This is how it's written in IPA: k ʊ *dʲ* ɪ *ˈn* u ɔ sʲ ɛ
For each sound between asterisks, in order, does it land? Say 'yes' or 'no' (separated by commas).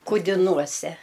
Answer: yes, yes